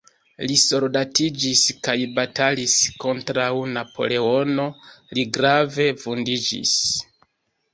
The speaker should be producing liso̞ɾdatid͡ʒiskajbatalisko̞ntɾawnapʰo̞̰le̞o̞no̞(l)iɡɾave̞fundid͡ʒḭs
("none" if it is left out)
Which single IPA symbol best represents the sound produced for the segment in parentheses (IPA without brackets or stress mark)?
l